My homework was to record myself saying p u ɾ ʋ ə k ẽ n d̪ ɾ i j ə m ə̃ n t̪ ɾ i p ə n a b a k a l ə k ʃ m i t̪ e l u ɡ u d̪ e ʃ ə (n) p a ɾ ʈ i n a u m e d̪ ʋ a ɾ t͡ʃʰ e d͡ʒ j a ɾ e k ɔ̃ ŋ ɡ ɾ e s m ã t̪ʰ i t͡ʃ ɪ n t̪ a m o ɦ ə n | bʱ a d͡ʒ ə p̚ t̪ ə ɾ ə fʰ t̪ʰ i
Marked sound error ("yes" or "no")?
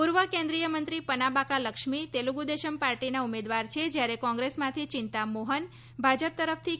yes